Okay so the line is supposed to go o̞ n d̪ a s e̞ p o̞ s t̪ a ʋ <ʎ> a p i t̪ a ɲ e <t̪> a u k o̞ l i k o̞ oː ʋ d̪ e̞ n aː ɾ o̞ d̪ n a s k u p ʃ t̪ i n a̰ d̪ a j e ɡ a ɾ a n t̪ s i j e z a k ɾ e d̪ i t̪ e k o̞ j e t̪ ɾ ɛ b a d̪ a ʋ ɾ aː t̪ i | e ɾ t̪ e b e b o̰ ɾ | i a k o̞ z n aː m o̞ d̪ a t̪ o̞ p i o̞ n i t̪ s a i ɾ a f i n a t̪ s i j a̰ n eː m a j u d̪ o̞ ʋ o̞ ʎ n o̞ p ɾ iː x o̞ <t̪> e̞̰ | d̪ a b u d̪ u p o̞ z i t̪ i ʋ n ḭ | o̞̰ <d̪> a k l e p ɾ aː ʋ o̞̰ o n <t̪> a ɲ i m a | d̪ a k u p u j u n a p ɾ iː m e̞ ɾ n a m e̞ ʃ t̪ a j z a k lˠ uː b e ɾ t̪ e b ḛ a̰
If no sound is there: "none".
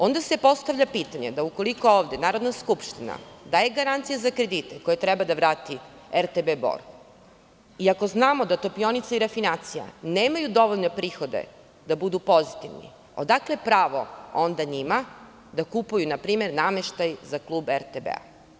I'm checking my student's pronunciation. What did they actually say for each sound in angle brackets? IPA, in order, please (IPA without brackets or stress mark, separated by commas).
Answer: ʎ, d̪, d̪, d̪, d̪